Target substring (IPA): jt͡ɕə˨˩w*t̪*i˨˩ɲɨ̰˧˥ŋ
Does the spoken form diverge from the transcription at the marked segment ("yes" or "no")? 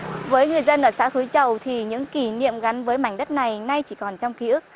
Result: yes